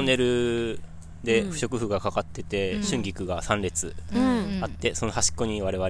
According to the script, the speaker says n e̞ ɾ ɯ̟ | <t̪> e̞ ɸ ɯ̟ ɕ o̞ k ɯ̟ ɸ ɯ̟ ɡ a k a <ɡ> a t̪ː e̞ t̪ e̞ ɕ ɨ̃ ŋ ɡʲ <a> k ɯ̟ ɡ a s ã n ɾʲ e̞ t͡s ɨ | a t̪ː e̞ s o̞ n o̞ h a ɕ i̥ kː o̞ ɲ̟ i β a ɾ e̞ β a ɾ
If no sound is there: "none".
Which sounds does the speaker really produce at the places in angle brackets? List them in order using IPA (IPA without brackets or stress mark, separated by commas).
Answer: d̪, k, i